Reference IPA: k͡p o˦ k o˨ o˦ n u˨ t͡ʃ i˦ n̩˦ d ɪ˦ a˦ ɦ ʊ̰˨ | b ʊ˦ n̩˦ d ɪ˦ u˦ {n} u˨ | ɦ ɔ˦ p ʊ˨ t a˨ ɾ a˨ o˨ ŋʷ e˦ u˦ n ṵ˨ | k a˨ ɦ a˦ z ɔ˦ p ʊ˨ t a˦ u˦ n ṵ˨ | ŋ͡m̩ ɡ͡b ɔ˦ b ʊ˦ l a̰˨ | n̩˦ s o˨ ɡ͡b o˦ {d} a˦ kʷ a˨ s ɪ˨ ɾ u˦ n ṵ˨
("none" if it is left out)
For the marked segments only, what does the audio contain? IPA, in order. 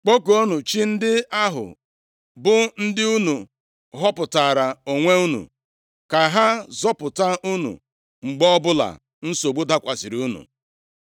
n, d

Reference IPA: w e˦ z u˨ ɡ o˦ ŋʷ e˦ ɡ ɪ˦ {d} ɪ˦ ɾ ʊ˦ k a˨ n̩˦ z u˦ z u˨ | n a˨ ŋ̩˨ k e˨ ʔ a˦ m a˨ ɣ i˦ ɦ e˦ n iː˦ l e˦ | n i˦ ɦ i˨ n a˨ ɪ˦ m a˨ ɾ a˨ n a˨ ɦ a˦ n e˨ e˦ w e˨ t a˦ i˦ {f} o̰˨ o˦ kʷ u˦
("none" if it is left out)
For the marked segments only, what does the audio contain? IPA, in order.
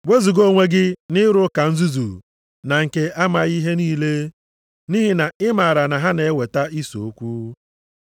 n, s

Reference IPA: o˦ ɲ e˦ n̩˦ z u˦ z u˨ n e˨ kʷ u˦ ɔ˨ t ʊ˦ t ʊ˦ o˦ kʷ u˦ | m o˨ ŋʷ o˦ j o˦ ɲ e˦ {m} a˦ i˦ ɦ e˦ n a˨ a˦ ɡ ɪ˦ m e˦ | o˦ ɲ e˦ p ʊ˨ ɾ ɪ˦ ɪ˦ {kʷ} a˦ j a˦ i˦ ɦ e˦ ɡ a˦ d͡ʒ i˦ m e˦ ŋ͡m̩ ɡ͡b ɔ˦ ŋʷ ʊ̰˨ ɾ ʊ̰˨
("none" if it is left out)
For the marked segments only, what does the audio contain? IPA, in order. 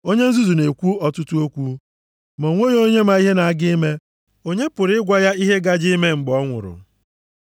m, ɡʷ

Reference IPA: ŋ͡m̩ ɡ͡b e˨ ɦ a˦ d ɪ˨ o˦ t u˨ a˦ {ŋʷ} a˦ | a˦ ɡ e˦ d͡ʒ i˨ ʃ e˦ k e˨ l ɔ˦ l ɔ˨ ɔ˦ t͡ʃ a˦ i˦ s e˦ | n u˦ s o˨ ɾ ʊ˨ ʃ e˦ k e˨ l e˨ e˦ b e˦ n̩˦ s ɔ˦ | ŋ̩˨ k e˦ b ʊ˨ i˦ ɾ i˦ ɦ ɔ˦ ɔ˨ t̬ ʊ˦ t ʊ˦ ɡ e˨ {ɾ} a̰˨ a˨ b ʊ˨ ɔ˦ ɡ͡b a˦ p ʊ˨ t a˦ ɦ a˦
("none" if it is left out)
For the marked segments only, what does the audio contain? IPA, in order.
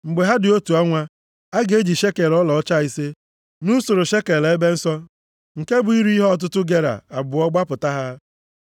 ŋʷ, ɾ

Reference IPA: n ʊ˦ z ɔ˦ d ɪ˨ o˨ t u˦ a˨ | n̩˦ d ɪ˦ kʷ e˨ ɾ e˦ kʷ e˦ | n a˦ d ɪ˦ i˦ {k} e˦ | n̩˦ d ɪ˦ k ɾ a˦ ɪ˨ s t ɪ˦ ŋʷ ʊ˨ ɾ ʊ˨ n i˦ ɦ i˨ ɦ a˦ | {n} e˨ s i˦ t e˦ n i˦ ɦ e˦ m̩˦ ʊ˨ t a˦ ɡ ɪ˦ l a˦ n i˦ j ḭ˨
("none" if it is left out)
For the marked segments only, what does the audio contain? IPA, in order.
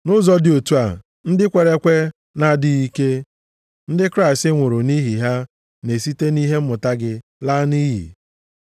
k, n

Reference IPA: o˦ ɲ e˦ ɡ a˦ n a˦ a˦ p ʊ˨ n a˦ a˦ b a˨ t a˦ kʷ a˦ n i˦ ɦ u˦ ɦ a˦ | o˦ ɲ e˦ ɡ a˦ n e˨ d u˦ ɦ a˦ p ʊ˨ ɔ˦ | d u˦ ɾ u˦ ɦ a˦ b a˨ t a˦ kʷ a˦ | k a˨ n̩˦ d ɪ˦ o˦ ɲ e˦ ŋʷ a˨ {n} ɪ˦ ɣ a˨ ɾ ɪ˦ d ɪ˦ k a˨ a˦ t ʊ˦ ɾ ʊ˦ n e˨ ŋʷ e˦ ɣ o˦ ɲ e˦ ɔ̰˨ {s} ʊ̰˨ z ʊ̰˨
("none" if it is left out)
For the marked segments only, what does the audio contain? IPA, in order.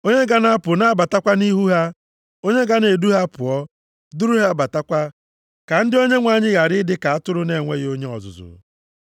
ɲ, z

